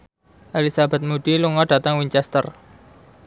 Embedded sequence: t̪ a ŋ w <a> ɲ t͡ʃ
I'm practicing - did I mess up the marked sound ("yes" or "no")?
yes